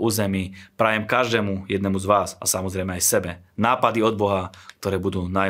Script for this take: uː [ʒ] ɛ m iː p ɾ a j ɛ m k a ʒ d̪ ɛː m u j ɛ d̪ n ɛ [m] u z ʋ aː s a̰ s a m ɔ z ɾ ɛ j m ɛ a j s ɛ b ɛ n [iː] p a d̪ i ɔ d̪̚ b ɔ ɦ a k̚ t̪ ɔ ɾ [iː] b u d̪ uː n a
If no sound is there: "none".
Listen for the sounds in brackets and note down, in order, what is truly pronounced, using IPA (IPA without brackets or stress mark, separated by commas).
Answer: z, m, aː, ɛː